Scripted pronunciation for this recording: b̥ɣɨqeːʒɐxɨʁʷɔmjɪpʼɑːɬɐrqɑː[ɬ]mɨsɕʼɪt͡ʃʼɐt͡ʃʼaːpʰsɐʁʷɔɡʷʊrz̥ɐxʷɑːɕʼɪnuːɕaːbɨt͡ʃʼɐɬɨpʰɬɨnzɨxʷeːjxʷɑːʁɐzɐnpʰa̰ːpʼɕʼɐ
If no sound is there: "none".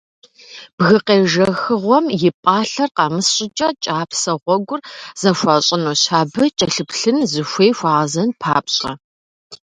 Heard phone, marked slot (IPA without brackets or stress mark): none